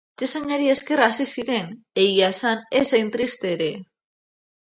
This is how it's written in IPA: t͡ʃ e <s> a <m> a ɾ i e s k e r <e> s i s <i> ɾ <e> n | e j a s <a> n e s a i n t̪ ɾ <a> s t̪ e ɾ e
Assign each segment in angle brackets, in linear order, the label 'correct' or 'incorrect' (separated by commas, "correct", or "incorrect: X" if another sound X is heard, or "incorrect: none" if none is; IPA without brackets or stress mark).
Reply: correct, incorrect: ɲ, incorrect: a, correct, correct, correct, incorrect: i